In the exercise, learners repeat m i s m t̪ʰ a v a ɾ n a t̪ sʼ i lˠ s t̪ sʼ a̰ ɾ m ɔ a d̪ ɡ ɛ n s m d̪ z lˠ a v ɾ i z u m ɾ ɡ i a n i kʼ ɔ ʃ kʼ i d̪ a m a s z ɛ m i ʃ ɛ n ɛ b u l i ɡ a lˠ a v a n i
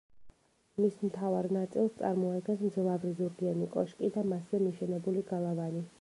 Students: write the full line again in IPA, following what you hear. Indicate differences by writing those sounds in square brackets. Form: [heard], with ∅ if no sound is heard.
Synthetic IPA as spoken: m i s m t̪ʰ a v a ɾ n a t̪ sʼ i lˠ s t̪ sʼ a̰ ɾ m ɔ a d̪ ɡ ɛ n s m d̪ z lˠ a v ɾ i z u [∅] ɾ ɡ i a n i kʼ ɔ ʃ kʼ i d̪ a m a s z ɛ m i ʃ ɛ n ɛ b u l i ɡ a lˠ a v a n i